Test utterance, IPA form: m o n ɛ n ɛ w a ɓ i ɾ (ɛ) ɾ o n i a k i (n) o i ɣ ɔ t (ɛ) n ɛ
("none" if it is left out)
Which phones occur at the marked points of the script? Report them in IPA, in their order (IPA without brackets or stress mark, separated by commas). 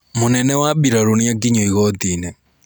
a, ɲ, i